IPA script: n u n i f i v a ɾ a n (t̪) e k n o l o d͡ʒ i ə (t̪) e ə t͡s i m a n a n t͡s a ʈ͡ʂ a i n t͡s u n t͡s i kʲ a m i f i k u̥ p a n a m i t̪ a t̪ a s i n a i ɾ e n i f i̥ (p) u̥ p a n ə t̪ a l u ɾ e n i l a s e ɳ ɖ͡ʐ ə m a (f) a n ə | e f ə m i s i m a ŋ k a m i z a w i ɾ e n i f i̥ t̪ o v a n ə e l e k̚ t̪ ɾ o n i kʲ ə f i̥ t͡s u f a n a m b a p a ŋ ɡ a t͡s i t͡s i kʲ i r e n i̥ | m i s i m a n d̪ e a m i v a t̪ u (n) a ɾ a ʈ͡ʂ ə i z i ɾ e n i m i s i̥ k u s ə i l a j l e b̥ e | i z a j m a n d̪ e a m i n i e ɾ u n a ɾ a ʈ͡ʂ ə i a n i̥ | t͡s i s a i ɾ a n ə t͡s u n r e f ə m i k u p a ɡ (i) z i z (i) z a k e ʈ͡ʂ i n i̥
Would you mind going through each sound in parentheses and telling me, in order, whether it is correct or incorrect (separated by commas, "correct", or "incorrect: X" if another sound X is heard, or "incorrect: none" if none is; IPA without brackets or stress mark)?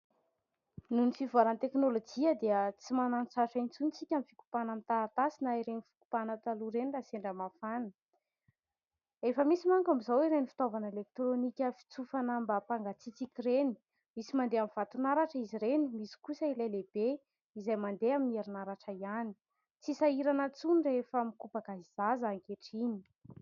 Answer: correct, incorrect: d̪, incorrect: k, correct, correct, incorrect: a, incorrect: a